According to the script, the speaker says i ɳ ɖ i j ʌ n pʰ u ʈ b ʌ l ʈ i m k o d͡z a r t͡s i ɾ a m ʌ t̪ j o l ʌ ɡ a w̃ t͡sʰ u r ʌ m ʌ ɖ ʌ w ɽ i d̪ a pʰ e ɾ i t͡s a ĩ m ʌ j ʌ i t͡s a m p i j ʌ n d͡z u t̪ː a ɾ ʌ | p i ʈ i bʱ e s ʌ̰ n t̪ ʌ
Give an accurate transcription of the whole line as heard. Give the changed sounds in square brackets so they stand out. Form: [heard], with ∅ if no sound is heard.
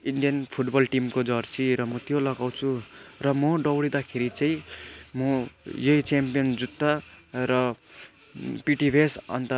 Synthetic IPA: i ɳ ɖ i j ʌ n pʰ u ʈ b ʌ l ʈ i m k o d͡z [ʌ] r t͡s i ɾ [ʌ] m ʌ t̪ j o l ʌ ɡ a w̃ t͡sʰ u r ʌ m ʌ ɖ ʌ w ɽ i d̪ a [kʰ] e ɾ i t͡s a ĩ m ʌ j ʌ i t͡s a m p i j ʌ n d͡z u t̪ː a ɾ ʌ | p i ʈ i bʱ e s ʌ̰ n t̪ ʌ